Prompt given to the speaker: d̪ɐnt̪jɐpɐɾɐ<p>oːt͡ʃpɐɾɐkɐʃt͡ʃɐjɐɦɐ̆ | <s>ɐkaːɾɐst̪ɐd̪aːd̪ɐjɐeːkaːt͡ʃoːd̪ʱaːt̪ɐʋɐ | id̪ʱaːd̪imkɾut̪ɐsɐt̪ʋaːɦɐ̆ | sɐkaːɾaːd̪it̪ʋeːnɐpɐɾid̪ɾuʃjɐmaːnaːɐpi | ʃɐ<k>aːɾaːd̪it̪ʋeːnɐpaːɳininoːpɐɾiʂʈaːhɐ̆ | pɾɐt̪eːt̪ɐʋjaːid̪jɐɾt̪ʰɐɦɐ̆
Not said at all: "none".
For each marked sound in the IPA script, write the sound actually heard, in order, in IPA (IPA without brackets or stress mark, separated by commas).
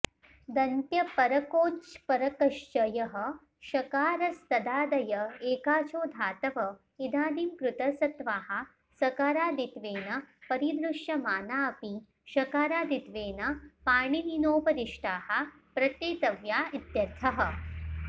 k, ʃ, k